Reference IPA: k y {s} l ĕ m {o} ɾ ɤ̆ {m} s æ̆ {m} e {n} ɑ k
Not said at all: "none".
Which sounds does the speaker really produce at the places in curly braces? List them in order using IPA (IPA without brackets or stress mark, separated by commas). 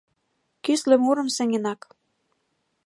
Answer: s, u, m, ŋ, n